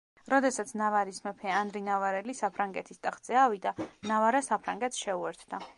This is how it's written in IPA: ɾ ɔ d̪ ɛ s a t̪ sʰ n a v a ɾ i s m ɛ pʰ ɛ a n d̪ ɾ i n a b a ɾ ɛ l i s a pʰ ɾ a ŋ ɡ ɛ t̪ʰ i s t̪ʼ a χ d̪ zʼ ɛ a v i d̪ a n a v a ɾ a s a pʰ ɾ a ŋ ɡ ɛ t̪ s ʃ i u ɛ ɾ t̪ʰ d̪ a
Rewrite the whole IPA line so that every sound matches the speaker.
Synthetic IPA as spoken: ɾ ɔ d̪ ɛ s a t̪ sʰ n a v a ɾ i s m ɛ pʰ ɛ a n d̪ ɾ i n a v a ɾ ɛ l i s a pʰ ɾ a ŋ ɡ ɛ t̪ʰ i s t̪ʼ a χ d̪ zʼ ɛ a v i d̪ a n a v a ɾ a s a pʰ ɾ a ŋ ɡ ɛ t̪ s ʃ ɛ u ɛ ɾ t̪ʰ d̪ a